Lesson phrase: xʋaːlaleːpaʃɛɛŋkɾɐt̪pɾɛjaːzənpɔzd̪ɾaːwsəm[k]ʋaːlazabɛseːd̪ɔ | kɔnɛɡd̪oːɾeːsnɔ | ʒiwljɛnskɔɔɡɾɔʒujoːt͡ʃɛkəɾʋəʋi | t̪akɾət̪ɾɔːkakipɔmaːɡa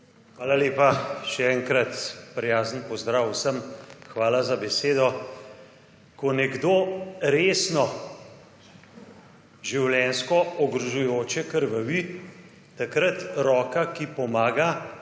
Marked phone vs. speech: incorrect: x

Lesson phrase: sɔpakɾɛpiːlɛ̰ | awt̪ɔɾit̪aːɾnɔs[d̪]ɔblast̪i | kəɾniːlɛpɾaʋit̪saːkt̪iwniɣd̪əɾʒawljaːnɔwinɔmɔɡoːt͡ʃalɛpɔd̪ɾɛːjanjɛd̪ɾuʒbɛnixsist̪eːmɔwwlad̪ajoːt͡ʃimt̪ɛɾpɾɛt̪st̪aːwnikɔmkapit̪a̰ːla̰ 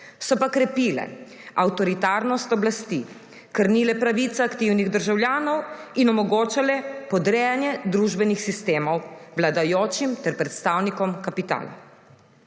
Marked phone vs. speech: incorrect: t̪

